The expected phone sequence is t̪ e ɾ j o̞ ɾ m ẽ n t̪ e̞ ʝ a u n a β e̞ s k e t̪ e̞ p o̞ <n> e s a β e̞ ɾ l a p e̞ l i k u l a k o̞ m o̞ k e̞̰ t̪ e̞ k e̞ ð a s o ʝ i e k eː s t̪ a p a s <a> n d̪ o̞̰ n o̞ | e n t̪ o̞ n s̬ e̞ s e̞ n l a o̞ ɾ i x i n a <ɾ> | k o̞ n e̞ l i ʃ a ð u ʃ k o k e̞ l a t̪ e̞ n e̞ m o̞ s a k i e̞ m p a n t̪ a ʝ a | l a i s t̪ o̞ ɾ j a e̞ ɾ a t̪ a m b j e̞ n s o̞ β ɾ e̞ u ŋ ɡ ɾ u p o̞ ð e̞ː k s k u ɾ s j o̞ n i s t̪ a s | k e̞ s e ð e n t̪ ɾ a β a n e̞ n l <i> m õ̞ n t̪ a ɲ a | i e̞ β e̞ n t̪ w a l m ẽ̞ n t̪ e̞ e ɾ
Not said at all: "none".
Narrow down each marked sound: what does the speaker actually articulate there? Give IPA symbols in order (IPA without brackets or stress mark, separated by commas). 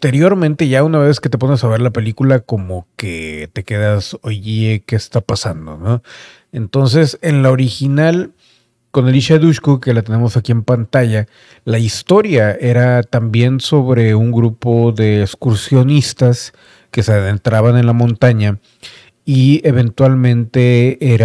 n, a, l, a